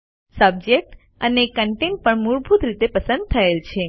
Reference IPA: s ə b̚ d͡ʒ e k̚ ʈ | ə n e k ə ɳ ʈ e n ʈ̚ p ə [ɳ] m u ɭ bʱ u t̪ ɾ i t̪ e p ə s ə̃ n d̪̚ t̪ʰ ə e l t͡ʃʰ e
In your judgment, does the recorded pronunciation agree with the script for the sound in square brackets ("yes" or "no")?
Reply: yes